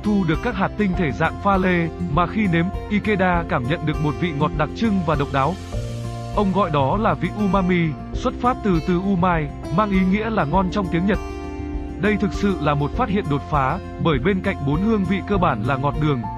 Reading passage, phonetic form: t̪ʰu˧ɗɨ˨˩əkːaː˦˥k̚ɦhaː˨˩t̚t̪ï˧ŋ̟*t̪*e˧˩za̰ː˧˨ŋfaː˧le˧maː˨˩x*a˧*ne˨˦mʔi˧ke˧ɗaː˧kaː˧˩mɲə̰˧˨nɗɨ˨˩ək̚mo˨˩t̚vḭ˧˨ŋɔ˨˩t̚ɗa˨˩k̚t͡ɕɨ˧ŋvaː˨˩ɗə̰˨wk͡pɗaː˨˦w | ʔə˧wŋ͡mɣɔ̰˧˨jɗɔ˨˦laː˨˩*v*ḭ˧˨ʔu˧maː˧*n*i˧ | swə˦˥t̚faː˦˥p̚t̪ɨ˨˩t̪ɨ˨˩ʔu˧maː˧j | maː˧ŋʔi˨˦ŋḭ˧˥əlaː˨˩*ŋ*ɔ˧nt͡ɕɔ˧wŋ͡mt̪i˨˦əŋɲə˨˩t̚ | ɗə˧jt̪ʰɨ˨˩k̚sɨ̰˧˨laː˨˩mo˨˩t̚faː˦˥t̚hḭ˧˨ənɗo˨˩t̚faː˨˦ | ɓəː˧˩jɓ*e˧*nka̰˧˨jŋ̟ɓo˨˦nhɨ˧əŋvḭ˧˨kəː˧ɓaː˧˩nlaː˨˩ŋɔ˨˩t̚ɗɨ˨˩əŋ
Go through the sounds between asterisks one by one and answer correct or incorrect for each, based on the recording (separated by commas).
incorrect, incorrect, correct, incorrect, correct, correct